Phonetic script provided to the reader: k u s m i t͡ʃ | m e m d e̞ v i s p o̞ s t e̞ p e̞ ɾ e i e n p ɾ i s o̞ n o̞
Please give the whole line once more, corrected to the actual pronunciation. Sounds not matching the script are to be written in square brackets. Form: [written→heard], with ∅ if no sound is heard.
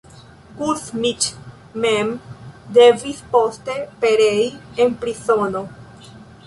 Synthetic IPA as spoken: k u s m i t͡ʃ | m e m d e̞ v i s p o̞ s t e̞ p e̞ ɾ e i e n p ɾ i s o̞ n o̞